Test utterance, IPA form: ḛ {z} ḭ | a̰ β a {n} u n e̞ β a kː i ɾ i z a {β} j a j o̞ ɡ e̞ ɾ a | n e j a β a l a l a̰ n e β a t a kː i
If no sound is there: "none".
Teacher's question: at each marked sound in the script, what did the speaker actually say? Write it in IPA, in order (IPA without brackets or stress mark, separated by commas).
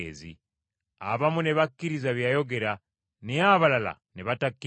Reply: z, m, β